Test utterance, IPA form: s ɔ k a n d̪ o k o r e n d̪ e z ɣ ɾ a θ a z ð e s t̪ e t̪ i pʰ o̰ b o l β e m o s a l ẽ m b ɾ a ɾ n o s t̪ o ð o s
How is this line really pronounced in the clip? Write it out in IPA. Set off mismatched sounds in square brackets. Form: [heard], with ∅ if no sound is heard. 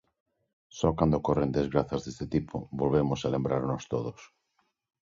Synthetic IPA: s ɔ k a n d̪ o k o r e n d̪ e z ɣ ɾ a θ a z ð e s t̪ e t̪ i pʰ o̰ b o l β e m o s a l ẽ m b ɾ a ɾ n o s t̪ o ð o s

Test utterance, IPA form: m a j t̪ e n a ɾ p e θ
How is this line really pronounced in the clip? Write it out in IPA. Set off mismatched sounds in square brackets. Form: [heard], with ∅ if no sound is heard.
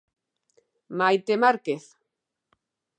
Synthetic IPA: m a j t̪ e [m] a ɾ [k] e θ

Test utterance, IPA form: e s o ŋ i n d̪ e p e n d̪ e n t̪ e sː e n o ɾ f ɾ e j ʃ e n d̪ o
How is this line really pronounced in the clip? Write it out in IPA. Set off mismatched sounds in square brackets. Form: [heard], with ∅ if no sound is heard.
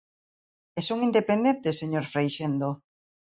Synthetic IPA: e s o ŋ i n d̪ e p e n d̪ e n t̪ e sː e [ɲ] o ɾ f ɾ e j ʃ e n d̪ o

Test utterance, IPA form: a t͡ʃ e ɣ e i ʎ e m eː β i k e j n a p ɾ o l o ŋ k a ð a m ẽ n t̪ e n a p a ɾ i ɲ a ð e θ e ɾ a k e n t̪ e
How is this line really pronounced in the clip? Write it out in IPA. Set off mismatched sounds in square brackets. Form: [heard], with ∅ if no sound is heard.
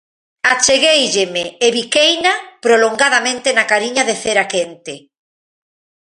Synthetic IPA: a t͡ʃ e ɣ e [j] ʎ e m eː β i k e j n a p ɾ o l o ŋ [ɡ] a ð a m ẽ n t̪ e n a [k] a ɾ i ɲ a ð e θ e ɾ a k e n t̪ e

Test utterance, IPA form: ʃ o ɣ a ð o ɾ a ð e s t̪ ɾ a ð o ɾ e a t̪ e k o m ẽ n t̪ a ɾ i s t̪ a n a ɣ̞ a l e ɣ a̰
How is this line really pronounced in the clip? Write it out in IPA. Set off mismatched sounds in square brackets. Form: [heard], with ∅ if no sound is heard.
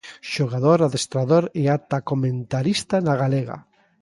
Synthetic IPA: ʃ o ɣ a ð o ɾ a ð e s t̪ ɾ a ð o ɾ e a t̪ [a] k o m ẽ n t̪ a ɾ i s t̪ a n a ɣ̞ a l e ɣ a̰

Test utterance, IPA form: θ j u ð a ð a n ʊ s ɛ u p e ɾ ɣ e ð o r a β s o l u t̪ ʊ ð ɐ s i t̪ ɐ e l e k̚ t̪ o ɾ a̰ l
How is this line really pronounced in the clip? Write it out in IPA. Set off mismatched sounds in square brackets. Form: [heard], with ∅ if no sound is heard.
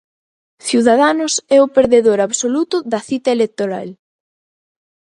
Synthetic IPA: θ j u ð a ð a n ʊ s ɛ [ʊ] p e ɾ [ð] e ð o [ɾ] a β s o l u t̪ ʊ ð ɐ [θ] i t̪ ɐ e l e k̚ t̪ o ɾ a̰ l

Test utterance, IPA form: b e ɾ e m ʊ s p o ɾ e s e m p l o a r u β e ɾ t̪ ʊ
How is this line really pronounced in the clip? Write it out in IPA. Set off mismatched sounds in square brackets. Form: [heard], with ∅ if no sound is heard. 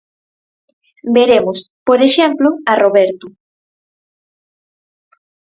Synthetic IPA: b e ɾ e m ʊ s p o ɾ e [ʃ] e m p l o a r [o] β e ɾ t̪ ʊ

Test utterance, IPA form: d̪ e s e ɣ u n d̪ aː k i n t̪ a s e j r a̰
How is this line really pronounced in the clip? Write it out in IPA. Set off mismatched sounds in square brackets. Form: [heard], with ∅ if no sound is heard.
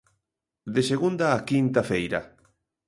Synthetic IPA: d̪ e s e ɣ u n d̪ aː k i n t̪ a [f] e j [ɾ] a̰

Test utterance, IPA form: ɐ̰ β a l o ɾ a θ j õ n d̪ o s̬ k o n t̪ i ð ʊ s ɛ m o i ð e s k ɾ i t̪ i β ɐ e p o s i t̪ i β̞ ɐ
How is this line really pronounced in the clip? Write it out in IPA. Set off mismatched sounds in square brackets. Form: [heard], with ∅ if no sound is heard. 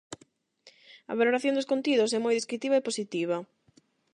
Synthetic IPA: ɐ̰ β a l o ɾ a θ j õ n d̪ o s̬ k o n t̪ i ð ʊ s ɛ m o [j] ð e s k ɾ i t̪ i β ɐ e p o s i t̪ i β̞ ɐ

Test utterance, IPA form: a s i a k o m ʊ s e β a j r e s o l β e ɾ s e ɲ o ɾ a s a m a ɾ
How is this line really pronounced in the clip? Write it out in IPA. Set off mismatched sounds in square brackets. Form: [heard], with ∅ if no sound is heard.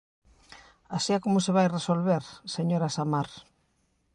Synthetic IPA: a s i a k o m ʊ s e β a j r e s o l β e ɾ s e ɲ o ɾ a s a m a ɾ

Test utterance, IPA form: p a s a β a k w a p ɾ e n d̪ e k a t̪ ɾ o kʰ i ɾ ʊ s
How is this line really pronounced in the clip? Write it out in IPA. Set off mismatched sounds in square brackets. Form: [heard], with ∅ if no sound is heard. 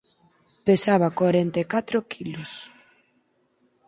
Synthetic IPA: p [e] s a β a k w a [∅] ɾ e n [t̪] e k a t̪ ɾ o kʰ i [l] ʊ s

